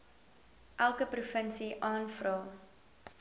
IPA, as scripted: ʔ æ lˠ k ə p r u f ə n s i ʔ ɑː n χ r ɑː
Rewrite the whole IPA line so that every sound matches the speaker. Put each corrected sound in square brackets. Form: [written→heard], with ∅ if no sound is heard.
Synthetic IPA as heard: ʔ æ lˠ k ə p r u f ə n s i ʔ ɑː n [χ→f] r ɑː